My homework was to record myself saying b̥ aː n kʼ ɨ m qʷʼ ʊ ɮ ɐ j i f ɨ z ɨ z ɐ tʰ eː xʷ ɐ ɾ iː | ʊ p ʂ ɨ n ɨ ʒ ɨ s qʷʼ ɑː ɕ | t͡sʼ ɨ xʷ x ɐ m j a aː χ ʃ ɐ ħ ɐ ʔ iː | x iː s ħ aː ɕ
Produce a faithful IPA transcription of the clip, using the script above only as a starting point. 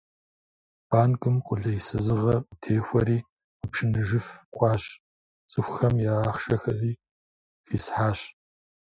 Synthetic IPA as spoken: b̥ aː n kʼ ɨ m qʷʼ ʊ ɮ ɐ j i s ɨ z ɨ ʁ ɐ tʰ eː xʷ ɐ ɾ iː | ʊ p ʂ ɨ n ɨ ʒ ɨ f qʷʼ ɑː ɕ | t͡sʼ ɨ xʷ x ɐ m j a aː χ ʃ ɐ x ɐ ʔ iː | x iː s ħ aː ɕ